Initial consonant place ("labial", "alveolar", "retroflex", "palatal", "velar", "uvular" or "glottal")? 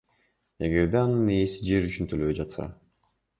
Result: velar